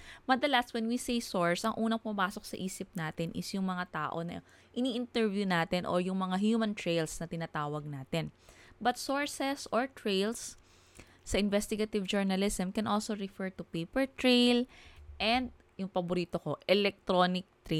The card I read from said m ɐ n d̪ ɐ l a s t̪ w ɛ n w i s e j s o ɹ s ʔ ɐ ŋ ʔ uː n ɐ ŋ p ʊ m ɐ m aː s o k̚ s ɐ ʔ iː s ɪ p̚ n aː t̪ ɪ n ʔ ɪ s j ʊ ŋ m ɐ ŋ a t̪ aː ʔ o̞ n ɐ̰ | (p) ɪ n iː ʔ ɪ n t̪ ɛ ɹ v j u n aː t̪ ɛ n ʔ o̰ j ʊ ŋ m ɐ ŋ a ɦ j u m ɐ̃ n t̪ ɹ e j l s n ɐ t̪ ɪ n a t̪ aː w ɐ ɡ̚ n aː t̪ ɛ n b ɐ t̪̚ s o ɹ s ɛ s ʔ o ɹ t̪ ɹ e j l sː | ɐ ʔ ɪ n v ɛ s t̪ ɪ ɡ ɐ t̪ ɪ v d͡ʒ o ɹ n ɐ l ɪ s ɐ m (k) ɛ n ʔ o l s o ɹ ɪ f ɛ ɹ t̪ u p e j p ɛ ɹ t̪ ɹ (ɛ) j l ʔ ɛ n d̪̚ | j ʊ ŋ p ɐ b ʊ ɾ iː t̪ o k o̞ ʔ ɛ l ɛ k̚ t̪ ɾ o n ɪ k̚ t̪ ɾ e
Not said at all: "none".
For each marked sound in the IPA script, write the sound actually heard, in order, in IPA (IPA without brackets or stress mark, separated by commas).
ʔ, k, e